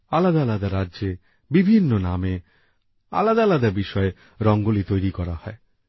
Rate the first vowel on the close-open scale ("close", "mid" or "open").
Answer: open